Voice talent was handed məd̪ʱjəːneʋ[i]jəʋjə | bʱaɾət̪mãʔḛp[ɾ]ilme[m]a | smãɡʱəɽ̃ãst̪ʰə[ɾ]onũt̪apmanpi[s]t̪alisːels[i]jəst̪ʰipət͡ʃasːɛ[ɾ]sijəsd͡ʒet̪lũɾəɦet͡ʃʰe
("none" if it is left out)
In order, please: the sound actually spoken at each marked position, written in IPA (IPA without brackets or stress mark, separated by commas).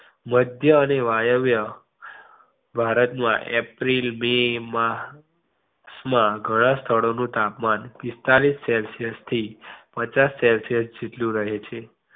a, ɾ, m, ɭ, s, i, l